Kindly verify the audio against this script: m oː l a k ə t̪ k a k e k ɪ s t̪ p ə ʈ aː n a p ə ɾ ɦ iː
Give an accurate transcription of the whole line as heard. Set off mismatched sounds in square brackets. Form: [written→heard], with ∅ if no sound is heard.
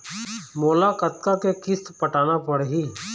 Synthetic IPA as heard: m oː l a k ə t̪ k a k e k ɪ s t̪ p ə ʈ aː n a p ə [ɾ→ɽ] ɦ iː

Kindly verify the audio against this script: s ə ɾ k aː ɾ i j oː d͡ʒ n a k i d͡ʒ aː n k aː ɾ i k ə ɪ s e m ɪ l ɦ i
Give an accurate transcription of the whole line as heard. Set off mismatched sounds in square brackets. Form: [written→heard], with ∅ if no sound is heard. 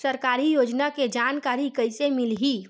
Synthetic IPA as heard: s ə ɾ k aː ɾ i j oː d͡ʒ n a k [i→e] d͡ʒ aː n k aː ɾ i k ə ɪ s e m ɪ l ɦ i

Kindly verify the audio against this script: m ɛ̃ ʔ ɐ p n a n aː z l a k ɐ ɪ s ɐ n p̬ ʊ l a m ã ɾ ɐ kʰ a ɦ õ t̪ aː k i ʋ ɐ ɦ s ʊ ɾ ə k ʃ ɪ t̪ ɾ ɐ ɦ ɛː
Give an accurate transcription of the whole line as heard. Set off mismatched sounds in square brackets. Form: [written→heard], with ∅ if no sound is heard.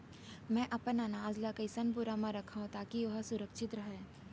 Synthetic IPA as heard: m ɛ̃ ʔ ɐ p n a n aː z l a k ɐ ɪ s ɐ n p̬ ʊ [l→ɾ] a m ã ɾ ɐ kʰ a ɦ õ t̪ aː k i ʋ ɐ ɦ s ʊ ɾ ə k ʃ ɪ t̪ ɾ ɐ ɦ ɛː

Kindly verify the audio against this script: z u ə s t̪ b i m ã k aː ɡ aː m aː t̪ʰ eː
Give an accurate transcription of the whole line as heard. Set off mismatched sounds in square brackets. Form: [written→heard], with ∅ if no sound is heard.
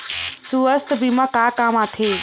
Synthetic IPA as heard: [z→s] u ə s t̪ b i m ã k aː [ɡ→k] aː m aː t̪ʰ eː

